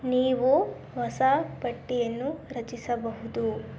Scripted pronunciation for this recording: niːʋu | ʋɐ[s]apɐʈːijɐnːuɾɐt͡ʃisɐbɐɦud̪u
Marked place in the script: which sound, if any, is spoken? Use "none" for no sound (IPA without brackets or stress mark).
s